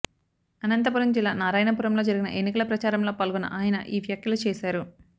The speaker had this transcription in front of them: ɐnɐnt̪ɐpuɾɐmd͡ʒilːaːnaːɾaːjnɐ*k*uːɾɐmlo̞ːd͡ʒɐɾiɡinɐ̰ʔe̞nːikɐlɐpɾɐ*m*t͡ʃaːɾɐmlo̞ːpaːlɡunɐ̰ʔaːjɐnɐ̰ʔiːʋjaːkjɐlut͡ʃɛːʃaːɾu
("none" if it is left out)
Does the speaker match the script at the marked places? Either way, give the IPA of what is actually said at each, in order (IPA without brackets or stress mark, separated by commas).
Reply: p, none